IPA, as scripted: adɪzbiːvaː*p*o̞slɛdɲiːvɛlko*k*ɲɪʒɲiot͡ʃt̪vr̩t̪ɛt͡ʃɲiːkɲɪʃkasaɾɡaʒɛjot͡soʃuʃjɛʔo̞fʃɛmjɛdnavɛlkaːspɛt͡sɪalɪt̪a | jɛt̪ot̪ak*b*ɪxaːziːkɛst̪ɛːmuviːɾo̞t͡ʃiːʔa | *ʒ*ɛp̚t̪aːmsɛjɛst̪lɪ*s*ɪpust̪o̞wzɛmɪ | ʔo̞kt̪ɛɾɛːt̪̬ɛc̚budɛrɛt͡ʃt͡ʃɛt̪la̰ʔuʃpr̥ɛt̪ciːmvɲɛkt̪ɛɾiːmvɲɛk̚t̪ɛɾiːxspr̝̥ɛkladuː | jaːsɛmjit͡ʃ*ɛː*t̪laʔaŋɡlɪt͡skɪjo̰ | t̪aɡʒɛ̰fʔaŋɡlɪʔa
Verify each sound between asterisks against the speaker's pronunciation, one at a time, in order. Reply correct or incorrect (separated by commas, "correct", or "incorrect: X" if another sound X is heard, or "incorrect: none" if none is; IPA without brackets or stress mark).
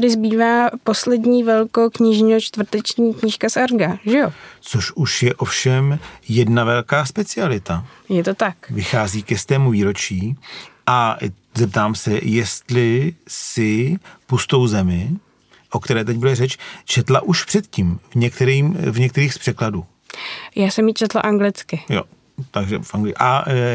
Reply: correct, correct, incorrect: v, incorrect: z, correct, incorrect: ɛ